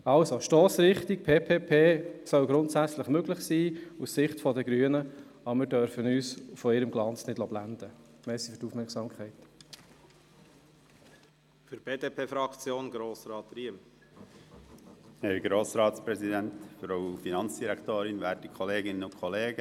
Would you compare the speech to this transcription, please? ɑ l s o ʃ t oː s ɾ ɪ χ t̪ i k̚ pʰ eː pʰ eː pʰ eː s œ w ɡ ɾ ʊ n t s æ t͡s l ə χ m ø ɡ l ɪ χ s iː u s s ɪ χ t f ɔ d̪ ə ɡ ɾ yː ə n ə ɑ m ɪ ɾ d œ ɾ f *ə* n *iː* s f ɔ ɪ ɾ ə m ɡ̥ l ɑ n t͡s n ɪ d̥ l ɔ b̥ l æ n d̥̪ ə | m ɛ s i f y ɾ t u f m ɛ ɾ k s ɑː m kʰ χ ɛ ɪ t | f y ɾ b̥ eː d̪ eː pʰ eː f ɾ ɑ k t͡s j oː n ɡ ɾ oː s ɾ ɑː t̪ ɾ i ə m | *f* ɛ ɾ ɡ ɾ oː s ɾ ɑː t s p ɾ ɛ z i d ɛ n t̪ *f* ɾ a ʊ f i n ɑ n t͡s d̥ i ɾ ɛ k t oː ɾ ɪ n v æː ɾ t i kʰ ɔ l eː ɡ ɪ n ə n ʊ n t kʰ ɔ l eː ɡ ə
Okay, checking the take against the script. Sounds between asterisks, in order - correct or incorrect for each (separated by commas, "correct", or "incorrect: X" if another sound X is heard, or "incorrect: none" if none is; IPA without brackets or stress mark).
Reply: correct, incorrect: yː, incorrect: h, correct